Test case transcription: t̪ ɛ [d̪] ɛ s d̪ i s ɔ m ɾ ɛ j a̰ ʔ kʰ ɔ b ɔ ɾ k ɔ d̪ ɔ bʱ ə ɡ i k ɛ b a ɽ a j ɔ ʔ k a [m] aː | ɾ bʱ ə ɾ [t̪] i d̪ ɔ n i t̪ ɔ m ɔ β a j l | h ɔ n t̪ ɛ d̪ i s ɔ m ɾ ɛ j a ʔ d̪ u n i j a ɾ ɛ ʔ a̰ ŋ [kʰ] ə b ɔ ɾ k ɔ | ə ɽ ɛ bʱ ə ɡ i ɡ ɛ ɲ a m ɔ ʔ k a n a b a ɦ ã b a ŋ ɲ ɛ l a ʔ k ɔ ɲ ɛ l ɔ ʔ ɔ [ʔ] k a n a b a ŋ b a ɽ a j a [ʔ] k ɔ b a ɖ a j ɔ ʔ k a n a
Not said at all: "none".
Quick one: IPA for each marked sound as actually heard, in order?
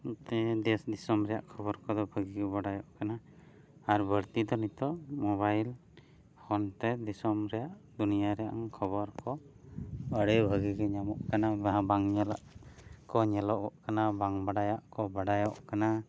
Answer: d̪, n, t̪, kʰ, ʔ, ʔ

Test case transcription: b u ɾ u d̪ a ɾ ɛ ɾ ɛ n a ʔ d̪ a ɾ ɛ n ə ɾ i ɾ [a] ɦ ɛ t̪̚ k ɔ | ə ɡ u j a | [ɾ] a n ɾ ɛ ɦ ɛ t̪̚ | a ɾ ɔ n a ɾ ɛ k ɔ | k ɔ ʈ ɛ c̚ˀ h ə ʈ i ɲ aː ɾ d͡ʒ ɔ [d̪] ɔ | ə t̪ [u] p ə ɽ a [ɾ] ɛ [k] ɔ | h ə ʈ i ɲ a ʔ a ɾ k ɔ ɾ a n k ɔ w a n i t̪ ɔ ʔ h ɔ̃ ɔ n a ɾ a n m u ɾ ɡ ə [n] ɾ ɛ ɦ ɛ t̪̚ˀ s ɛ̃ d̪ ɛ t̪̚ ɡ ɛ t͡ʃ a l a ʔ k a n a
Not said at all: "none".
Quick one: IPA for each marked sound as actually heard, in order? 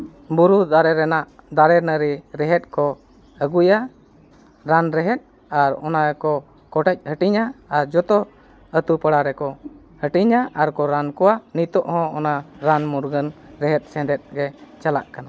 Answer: ɛ, ɾ, t̪, u, ɾ, k, n

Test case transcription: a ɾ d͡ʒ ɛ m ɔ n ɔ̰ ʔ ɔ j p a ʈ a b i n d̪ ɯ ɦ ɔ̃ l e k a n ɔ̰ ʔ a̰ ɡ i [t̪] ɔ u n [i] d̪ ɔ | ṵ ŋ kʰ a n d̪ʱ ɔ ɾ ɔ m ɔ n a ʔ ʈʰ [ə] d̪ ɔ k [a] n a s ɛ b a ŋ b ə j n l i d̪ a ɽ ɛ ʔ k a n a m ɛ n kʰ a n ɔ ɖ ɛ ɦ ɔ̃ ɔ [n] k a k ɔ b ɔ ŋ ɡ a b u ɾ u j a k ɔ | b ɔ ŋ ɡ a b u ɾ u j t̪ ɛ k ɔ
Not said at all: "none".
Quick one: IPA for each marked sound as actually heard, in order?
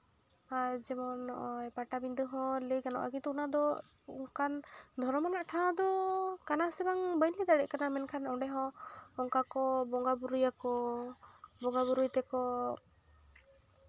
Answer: t̪, a, a, a, ŋ

